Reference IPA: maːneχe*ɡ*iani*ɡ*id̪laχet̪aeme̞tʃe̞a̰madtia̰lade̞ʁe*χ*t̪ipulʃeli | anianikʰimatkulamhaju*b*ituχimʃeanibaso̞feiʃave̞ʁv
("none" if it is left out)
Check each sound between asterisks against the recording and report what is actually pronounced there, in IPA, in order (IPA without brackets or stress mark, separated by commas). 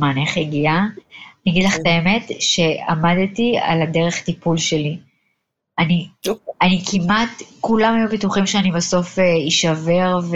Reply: ɡ, ɡ, χ, b